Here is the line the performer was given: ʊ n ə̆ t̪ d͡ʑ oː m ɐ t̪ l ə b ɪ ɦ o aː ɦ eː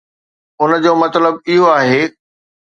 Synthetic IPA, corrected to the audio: ʊ n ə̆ d͡ʑ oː m ɐ t̪ l ə b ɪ ɦ o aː ɦ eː